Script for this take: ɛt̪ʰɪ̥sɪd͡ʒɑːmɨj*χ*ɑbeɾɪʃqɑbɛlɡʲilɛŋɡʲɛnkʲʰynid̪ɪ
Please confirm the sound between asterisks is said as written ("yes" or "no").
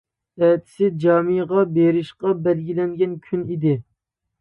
no